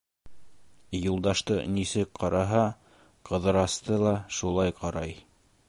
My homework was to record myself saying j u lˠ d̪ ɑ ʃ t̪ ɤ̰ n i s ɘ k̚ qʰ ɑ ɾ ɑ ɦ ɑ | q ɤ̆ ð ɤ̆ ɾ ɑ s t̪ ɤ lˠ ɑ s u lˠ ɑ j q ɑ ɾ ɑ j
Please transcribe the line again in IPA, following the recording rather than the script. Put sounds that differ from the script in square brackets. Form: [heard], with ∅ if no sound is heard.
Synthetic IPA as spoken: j u lˠ d̪ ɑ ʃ t̪ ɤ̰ n i s ɘ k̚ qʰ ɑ ɾ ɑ ɦ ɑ | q ɤ̆ ð ɤ̆ ɾ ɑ s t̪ ɤ lˠ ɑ [ʃ] u lˠ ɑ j q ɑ ɾ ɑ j